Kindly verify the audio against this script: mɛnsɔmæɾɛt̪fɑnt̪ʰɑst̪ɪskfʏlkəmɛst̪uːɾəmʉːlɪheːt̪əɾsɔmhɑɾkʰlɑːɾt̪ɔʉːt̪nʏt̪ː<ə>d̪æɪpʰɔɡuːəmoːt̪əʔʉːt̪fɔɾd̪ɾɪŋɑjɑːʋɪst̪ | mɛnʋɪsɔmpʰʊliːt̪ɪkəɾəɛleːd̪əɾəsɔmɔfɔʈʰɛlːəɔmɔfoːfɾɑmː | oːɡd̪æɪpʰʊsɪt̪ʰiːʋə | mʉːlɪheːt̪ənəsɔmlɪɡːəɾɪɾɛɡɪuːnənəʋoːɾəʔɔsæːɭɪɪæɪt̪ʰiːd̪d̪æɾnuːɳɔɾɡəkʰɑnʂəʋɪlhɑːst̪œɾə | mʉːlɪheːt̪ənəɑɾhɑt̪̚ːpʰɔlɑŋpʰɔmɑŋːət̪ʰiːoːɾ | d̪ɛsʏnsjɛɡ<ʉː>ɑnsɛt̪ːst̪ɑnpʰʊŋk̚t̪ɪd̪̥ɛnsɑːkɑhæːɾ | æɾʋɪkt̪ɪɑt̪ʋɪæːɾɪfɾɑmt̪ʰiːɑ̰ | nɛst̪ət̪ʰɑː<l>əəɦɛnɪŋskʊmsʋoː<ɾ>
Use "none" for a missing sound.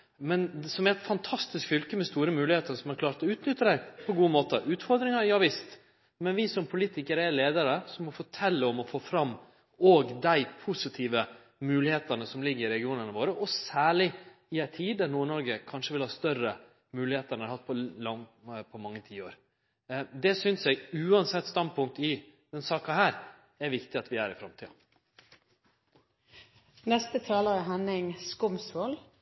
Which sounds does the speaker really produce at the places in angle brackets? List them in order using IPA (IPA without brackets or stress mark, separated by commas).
ə, ʉː, l, l